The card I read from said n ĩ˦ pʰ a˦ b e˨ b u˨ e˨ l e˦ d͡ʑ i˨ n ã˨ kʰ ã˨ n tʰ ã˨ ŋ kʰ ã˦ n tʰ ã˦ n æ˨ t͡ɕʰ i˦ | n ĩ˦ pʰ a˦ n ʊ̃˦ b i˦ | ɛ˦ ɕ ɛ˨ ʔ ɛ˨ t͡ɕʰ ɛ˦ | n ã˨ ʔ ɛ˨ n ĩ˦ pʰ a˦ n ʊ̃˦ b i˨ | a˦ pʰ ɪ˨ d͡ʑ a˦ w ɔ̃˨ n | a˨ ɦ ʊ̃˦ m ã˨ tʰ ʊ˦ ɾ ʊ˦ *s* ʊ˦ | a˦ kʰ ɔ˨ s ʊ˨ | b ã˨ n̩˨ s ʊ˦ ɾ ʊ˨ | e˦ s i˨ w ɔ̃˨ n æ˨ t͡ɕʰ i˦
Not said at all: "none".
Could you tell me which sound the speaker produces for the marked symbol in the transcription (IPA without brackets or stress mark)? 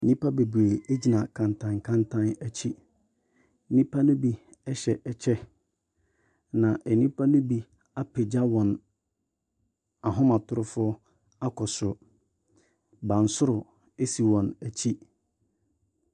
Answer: f